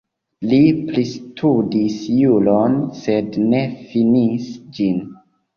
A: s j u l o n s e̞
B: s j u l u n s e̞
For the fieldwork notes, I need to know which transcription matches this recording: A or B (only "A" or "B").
A